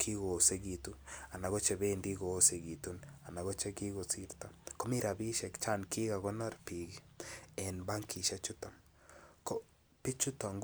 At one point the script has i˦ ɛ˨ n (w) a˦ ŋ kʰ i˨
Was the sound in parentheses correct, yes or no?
no